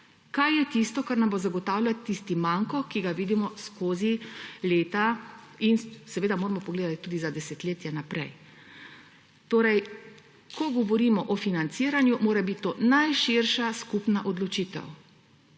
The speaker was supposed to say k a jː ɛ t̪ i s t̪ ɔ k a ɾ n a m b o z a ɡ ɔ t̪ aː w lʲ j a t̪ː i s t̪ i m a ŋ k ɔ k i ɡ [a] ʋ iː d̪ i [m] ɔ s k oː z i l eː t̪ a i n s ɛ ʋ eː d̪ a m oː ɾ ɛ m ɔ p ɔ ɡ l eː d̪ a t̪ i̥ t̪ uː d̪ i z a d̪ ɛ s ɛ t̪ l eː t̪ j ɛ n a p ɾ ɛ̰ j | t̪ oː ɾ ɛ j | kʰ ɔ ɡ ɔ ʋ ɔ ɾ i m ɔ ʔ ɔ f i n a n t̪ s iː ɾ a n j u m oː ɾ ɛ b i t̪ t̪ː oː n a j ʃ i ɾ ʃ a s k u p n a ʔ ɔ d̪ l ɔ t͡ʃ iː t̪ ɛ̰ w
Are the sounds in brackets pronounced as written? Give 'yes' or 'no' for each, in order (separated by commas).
yes, yes